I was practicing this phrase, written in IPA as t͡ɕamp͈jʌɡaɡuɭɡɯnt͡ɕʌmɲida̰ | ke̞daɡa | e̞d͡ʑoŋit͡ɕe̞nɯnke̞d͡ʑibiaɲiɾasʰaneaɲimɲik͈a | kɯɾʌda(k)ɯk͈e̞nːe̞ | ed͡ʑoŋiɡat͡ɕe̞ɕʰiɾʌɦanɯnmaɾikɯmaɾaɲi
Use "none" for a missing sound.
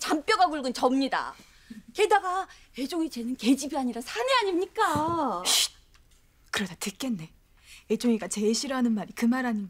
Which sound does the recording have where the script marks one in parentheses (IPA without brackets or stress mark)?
t